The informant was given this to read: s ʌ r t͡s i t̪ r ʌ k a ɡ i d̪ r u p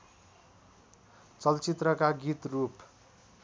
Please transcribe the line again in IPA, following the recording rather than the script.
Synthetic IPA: t͡s ʌ l t͡s i t̪ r ʌ k a ɡ i t̪ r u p